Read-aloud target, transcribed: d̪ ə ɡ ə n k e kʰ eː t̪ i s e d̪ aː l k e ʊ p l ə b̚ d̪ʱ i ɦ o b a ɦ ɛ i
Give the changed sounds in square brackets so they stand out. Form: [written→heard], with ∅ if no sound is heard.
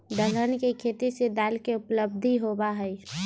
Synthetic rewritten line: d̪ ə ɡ ə n k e kʰ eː t̪ i s e d̪ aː l k e ʊ p l ə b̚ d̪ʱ i ɦ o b a ɦ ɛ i

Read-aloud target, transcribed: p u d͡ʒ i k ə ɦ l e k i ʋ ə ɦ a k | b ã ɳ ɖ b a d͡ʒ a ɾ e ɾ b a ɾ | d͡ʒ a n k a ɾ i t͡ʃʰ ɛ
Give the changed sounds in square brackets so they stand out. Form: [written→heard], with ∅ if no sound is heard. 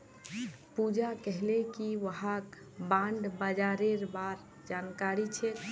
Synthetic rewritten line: p u d͡ʒ [i→a] k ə ɦ l e k i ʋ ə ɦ a k | b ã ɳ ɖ b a d͡ʒ a ɾ e ɾ b a ɾ | d͡ʒ a n k a ɾ i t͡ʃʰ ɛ

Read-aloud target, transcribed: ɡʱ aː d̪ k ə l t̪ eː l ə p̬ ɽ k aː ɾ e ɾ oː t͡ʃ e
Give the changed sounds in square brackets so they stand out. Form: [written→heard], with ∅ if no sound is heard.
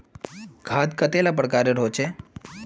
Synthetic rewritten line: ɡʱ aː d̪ k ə [l→∅] t̪ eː l [ə→a] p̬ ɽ k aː ɾ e ɾ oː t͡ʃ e

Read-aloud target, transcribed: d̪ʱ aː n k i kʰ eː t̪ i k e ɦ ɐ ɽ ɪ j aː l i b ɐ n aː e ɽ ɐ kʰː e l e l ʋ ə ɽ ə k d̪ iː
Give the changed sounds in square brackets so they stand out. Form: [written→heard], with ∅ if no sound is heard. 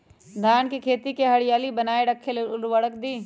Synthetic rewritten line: d̪ʱ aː n k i kʰ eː t̪ i k e ɦ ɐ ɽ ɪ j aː l i b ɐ n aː e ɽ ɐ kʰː e l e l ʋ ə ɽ ə k d̪ iː

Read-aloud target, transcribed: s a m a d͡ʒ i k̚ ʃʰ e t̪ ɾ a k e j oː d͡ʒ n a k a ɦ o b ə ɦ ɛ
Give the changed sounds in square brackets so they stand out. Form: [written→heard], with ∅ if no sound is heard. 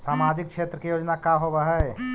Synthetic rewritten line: s a m a d͡ʒ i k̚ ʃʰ e t̪ ɾ [a→ə] k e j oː d͡ʒ n a k a ɦ o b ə ɦ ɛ

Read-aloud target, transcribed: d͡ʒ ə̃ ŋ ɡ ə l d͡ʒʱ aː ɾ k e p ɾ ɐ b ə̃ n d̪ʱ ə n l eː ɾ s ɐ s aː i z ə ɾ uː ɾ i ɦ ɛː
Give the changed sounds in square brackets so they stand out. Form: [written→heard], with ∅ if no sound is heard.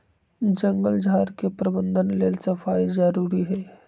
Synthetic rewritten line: d͡ʒ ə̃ ŋ ɡ ə l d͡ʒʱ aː ɾ k e p ɾ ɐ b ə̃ n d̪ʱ ə n l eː [ɾ→l] s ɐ [s→f] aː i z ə ɾ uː ɾ i ɦ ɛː

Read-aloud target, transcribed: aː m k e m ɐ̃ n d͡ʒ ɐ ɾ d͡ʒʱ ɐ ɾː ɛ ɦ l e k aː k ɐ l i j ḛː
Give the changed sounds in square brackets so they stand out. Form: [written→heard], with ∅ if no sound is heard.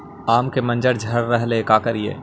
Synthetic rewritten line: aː m k e m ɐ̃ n d͡ʒ [ɐ→ə] ɾ d͡ʒʱ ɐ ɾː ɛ ɦ l e k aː k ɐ [l→ɾ] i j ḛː

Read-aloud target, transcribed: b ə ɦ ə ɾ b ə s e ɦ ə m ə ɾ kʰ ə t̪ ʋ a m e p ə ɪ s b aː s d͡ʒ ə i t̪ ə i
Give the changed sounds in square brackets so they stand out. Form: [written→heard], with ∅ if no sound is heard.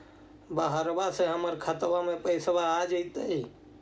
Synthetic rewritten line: b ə ɦ ə ɾ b [ə→a] s e ɦ ə m ə ɾ kʰ ə t̪ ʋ a m e p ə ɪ s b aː [s→∅] d͡ʒ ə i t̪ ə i

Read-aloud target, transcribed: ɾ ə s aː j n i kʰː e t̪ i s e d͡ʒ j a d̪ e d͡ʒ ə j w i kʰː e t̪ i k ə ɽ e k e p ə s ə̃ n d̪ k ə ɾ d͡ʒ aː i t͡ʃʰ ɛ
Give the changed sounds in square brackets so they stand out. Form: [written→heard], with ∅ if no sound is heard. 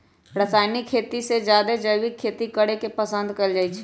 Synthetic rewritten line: ɾ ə s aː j n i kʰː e t̪ i s e d͡ʒ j a d̪ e d͡ʒ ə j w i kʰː e t̪ i k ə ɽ e k e p ə s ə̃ n d̪ k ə [ɾ→l] d͡ʒ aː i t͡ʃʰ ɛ

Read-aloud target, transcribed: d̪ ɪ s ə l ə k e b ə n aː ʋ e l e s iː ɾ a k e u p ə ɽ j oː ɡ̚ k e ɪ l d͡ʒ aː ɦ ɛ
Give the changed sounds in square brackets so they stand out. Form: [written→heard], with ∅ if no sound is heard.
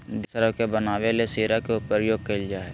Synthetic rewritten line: d̪ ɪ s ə [l→ɾ] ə k e b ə n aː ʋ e l e s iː ɾ a k e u p ə [ɽ→ɾ] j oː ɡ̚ k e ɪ l d͡ʒ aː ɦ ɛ

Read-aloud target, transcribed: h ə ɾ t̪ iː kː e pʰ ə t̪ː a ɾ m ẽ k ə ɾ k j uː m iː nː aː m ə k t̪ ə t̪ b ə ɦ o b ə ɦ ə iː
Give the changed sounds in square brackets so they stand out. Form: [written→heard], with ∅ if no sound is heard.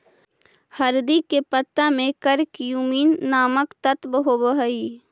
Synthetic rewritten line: h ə ɾ [t̪→d̪] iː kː e [pʰ→p] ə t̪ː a [ɾ→∅] m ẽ k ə ɾ k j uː m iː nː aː m ə k t̪ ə t̪ b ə ɦ o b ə ɦ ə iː

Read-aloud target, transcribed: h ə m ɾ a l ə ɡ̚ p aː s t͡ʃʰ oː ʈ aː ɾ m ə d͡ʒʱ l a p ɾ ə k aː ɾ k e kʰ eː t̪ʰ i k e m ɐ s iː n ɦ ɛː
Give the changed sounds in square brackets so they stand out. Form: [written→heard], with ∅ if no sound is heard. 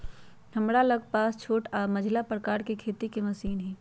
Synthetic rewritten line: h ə m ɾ a l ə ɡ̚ p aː s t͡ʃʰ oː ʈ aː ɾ m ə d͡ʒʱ l a p ɾ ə k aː ɾ k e kʰ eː [t̪ʰ→t̪] i k e m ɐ s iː n ɦ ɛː

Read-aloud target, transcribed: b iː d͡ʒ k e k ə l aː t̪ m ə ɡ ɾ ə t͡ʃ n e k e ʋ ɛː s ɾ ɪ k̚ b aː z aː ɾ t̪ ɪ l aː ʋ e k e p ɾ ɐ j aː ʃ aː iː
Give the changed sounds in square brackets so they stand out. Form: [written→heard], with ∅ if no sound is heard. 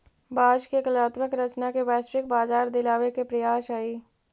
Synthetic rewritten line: b [iː→aː] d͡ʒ k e k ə l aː t̪ m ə [ɡ→k] ɾ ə t͡ʃ n [e→a] k e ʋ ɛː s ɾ ɪ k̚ b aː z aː ɾ [t̪→d̪] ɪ l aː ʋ e k e p ɾ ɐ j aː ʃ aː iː

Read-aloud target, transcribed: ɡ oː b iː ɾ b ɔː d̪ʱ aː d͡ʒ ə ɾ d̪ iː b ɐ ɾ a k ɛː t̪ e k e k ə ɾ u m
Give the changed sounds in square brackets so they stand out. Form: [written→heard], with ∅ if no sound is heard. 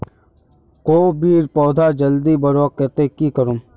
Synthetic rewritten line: [ɡ→k] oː b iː ɾ [b→p] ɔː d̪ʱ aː d͡ʒ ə [ɾ→l] d̪ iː b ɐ ɾ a k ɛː t̪ e k [e→i] k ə ɾ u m

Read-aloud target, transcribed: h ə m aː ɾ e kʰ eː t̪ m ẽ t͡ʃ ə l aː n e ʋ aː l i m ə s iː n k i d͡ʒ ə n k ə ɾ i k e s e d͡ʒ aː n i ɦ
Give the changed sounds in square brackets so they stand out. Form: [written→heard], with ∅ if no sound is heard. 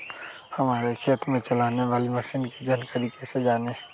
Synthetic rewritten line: h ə m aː ɾ e kʰ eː t̪ m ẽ t͡ʃ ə l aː n e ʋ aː l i m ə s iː n k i d͡ʒ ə n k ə ɾ i k e s e d͡ʒ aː n [i→e] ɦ

